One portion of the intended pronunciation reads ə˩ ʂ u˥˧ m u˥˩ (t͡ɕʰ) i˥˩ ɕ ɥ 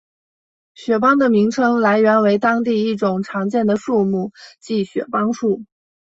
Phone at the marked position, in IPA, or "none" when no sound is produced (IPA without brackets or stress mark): t͡ɕ